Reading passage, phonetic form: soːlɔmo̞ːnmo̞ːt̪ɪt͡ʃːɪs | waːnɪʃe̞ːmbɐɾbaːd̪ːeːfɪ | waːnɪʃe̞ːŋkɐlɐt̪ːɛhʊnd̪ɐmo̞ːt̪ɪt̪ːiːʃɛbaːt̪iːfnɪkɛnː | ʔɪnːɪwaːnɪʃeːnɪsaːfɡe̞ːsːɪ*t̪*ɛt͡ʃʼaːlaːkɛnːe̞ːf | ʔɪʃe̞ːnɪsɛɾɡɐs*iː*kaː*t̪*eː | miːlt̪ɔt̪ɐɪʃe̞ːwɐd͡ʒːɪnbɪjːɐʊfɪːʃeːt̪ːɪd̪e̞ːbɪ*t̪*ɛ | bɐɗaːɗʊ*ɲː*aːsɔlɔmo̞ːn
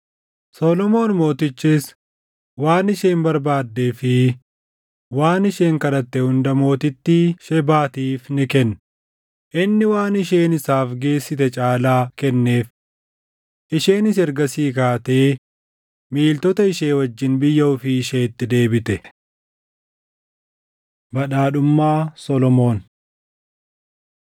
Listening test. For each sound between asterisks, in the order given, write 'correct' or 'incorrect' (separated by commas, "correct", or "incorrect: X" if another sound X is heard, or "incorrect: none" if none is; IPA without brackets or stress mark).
correct, correct, correct, correct, incorrect: mː